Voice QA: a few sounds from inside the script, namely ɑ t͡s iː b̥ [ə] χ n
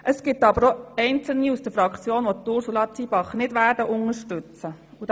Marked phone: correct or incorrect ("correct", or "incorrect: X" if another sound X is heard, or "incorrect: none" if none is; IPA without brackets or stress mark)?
incorrect: ɑ